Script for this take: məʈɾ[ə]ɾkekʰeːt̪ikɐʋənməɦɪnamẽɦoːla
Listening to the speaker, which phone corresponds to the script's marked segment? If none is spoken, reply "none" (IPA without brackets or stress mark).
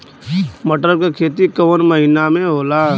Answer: ə